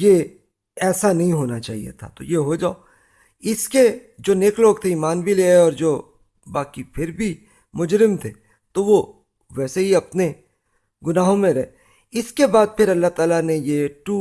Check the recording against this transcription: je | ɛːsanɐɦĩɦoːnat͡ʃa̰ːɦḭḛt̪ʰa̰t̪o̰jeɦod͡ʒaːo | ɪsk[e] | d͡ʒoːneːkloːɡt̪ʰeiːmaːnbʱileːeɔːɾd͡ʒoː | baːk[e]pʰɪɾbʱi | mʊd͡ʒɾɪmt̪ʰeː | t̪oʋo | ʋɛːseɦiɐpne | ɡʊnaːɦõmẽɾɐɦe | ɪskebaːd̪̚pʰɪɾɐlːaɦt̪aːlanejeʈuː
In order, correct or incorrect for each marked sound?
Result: correct, incorrect

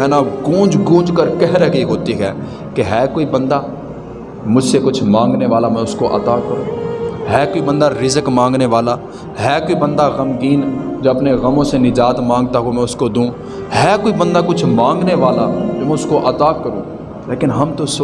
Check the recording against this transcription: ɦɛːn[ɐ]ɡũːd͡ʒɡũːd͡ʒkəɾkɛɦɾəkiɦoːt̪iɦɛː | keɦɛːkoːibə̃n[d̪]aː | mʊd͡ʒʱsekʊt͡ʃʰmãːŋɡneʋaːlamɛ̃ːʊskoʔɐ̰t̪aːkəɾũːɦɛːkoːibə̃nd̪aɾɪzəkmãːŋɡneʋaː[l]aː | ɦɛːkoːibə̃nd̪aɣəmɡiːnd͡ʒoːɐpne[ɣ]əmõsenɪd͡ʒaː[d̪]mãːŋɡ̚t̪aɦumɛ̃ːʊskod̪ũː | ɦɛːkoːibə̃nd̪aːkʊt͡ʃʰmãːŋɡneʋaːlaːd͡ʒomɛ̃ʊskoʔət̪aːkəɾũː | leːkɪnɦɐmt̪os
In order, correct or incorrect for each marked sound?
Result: incorrect, correct, correct, correct, incorrect

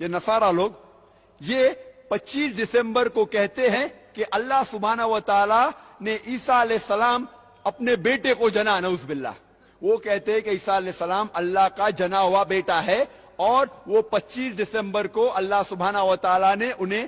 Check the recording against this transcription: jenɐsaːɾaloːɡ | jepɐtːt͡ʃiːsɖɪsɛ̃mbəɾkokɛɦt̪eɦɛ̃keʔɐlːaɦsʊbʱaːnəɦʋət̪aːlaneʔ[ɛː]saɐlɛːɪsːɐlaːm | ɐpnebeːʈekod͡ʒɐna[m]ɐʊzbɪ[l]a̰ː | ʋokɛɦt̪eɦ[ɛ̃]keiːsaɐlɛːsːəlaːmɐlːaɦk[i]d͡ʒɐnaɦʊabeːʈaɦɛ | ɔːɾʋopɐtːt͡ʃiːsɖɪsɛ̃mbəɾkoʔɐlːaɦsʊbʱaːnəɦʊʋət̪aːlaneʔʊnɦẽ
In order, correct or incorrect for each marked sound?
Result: incorrect, incorrect, incorrect, correct, incorrect

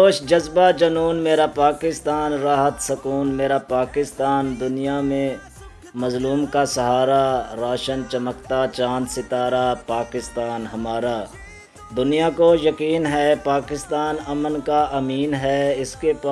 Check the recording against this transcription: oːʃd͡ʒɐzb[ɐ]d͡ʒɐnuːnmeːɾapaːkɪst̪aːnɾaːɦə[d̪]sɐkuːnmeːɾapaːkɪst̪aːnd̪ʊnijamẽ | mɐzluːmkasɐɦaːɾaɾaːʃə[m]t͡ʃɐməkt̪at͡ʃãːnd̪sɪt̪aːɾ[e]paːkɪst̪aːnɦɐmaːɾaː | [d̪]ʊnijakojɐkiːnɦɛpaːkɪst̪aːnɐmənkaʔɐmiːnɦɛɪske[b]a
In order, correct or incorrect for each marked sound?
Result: incorrect, incorrect, incorrect, incorrect, correct, incorrect

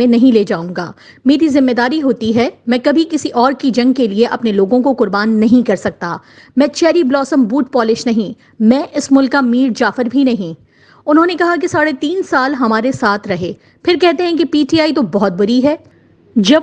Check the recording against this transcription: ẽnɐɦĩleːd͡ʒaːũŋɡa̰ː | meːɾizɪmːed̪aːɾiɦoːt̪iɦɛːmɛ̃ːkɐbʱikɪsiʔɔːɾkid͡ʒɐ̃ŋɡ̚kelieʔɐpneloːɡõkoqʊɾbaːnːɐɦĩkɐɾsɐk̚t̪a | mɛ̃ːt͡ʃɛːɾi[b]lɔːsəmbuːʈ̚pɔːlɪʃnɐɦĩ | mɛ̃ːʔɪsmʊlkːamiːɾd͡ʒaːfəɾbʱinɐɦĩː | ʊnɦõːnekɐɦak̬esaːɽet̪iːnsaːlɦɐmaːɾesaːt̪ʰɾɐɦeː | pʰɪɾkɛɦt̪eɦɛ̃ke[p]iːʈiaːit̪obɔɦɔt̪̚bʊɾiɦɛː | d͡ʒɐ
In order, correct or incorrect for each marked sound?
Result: correct, correct

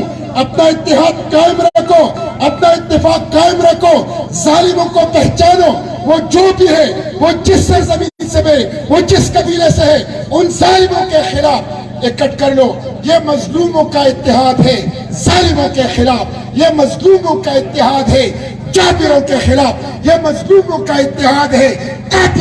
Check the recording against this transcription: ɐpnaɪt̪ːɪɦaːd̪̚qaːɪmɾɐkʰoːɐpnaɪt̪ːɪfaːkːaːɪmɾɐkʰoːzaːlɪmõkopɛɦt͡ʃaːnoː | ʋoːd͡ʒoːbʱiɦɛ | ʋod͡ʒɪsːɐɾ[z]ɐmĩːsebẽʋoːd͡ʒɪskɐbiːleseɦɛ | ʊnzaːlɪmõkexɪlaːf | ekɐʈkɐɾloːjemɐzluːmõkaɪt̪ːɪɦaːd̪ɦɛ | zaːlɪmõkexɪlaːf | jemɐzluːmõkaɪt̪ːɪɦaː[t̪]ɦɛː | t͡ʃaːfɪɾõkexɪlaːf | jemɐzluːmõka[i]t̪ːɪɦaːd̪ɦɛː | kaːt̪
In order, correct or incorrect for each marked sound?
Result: correct, incorrect, incorrect

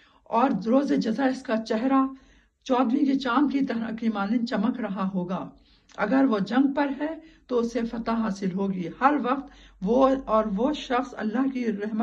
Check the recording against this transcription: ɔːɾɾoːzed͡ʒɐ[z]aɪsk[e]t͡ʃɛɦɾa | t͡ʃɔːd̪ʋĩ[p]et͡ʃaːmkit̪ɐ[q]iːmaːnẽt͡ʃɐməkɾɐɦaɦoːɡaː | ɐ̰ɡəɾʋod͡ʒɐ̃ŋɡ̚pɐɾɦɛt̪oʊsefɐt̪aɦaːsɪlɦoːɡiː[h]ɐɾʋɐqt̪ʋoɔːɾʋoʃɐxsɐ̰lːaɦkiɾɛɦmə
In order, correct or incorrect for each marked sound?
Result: correct, incorrect, incorrect, incorrect, correct

